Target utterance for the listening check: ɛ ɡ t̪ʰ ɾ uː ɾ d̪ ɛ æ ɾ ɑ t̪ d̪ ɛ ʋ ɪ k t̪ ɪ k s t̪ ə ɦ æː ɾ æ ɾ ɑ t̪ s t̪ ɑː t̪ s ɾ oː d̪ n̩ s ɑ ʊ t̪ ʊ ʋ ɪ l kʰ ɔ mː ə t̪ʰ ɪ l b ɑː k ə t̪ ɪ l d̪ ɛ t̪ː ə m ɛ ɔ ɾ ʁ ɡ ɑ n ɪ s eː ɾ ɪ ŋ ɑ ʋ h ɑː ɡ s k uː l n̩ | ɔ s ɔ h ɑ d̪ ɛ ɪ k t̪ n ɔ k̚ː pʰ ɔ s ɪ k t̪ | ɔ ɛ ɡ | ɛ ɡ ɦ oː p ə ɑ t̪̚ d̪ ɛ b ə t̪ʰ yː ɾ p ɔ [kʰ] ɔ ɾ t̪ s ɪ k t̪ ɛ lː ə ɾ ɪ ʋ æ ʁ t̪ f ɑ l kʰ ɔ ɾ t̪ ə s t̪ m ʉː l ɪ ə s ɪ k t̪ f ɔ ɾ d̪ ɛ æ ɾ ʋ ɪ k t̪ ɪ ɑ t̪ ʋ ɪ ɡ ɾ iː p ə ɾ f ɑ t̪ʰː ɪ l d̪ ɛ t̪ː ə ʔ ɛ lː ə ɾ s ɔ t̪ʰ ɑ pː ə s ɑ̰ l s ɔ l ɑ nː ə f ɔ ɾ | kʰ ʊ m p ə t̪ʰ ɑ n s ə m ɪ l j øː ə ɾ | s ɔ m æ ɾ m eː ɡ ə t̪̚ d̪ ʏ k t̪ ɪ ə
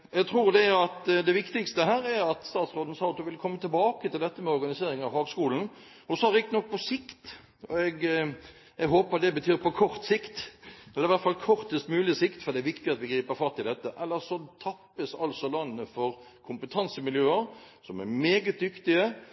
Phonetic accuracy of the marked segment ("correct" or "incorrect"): correct